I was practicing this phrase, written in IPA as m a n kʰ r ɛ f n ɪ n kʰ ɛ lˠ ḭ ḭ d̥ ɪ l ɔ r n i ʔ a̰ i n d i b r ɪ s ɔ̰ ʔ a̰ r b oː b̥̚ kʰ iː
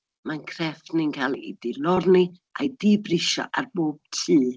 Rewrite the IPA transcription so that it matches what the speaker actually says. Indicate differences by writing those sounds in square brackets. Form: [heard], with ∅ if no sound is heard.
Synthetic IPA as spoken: m a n kʰ r ɛ f n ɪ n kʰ [a] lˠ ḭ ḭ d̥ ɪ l ɔ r n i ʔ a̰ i [∅] d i b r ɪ [ʃ] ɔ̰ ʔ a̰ r b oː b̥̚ [tʰ] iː